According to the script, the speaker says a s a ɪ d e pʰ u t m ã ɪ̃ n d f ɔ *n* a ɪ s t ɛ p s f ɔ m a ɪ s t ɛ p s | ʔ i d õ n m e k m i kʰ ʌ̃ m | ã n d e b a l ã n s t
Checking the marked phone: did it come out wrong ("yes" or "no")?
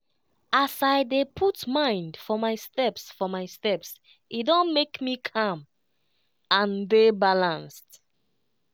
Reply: yes